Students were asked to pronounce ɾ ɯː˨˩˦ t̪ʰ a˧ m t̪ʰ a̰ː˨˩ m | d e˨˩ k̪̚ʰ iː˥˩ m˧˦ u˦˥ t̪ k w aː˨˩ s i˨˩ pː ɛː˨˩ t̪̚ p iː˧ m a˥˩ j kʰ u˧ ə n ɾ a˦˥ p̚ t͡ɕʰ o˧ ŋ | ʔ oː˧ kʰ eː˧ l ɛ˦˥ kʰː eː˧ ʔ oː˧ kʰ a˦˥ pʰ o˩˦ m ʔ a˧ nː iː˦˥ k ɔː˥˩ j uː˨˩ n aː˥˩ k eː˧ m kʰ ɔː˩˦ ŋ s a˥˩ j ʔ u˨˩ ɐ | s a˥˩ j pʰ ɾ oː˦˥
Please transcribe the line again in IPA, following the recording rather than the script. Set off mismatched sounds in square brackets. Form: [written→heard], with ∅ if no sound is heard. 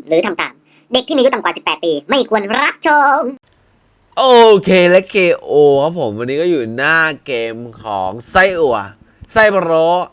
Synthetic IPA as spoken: ɾ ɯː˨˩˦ t̪ʰ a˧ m [t̪ʰ→t̪] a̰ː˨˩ m | d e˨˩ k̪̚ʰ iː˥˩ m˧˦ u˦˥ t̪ k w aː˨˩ s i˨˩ pː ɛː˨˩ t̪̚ p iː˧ m a˥˩ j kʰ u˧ ə n ɾ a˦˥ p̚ t͡ɕʰ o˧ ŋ | ʔ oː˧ kʰ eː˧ l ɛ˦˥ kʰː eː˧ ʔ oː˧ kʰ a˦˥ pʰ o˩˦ m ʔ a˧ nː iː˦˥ k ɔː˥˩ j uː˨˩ n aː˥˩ k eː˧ m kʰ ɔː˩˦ ŋ s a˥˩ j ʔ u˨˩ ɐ | s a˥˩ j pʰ ɾ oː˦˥

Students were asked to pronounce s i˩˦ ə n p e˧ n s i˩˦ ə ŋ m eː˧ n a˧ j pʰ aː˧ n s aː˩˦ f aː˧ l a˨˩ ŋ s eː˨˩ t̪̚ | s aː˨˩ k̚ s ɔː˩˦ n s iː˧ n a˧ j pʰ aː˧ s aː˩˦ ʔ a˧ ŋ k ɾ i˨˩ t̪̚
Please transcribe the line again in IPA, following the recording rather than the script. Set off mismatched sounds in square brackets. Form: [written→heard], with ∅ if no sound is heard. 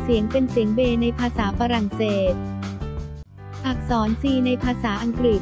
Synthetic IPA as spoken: s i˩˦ ə [n→ŋ] p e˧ n s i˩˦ ə ŋ [m→b] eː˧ n a˧ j pʰ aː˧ [n→∅] s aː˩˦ f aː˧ [l→ɾ] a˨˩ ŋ s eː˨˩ t̪̚ | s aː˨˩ k̚ s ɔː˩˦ n s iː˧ n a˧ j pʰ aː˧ s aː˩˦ ʔ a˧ ŋ k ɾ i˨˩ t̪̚

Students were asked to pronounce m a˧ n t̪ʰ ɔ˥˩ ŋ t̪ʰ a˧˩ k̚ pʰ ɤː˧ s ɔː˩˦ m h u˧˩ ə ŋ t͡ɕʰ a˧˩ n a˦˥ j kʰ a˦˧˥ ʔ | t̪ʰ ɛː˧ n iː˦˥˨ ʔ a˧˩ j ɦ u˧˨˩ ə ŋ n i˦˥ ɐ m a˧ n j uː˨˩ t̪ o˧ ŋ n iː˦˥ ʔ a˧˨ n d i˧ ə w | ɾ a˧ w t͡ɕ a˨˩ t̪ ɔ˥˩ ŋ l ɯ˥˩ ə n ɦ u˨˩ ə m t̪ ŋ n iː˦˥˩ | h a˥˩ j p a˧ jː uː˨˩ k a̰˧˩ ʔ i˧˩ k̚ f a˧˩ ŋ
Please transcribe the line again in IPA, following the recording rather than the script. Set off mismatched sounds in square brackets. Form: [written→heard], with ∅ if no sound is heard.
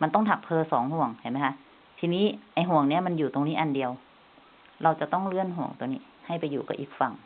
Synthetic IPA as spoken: m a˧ n [t̪ʰ→t̪] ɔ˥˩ ŋ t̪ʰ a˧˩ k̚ pʰ ɤː˧ s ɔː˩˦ [m→ŋ] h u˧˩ ə ŋ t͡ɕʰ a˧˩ [n→m] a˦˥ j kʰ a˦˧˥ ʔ | t̪ʰ [ɛː˧→iː˧] n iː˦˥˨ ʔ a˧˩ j ɦ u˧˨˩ ə ŋ n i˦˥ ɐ m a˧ n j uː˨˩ t̪ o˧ ŋ n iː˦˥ ʔ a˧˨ n d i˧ ə w | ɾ a˧ w t͡ɕ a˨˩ t̪ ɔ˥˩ ŋ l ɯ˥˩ ə n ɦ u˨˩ ə [m→ŋ] t̪ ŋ n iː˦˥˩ | h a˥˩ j p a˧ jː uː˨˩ k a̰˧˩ ʔ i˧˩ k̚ f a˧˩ ŋ

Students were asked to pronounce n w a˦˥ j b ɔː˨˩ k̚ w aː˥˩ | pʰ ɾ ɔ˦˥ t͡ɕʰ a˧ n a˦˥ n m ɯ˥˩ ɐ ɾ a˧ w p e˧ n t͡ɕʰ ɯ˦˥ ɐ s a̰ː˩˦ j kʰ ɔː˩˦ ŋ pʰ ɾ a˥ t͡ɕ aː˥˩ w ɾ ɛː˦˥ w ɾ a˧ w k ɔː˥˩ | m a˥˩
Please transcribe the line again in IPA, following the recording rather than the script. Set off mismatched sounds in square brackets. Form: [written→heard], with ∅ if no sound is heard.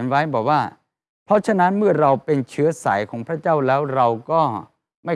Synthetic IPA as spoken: n w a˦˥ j b ɔː˨˩ k̚ w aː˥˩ | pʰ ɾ ɔ˦˥ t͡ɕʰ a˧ n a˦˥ n m ɯ˥˩ ɐ ɾ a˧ w p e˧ n t͡ɕʰ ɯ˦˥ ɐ s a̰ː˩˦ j kʰ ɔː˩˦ ŋ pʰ ɾ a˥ t͡ɕ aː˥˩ w [ɾ→l] ɛː˦˥ w ɾ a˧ w k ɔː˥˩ | m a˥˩

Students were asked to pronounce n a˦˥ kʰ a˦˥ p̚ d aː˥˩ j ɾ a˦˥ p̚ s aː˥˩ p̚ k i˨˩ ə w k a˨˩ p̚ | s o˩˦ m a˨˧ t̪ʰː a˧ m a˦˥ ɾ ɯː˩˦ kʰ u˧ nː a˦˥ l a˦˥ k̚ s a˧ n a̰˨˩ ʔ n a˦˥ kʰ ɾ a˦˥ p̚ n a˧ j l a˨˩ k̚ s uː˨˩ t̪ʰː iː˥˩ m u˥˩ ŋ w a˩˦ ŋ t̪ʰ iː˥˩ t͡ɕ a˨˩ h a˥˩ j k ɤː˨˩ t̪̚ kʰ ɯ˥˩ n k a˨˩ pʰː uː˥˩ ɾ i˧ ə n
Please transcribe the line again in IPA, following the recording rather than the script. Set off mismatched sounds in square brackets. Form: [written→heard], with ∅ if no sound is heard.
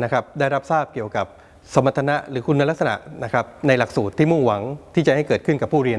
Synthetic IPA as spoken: n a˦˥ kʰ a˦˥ p̚ d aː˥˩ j ɾ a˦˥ p̚ s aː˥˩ p̚ k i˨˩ ə w k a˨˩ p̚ | s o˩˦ m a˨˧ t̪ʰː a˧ [m→n] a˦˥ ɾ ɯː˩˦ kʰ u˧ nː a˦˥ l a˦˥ k̚ s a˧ n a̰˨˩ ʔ n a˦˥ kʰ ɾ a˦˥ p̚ n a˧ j l a˨˩ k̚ s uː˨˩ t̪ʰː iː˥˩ m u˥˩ ŋ w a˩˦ ŋ t̪ʰ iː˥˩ t͡ɕ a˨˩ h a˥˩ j k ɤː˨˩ t̪̚ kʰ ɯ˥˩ n k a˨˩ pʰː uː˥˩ ɾ i˧ ə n

